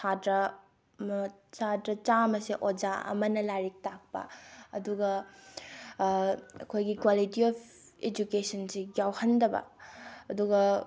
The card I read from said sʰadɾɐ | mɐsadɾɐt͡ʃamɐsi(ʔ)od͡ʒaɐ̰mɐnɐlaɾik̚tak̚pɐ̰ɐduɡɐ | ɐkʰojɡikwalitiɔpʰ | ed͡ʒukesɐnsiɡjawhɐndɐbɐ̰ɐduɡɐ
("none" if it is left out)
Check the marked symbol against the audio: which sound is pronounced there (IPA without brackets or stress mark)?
ʔ